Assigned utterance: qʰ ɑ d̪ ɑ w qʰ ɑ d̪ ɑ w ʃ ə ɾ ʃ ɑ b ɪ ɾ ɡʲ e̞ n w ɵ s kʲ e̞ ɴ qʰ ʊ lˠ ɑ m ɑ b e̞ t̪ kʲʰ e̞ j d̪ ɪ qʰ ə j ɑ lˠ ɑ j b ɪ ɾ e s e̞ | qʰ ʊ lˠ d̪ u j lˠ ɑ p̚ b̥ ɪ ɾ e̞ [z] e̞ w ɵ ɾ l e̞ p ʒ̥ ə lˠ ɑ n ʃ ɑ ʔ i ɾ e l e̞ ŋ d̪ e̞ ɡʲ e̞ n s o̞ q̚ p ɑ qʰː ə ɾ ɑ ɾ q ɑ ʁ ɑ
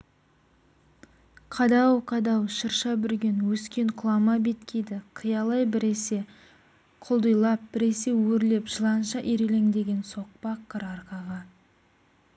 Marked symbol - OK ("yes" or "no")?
no